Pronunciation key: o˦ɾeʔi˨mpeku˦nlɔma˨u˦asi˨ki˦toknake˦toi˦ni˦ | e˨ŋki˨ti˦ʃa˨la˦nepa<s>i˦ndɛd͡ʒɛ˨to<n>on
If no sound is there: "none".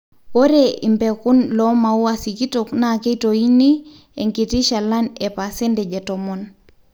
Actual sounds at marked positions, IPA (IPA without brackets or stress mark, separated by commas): s, m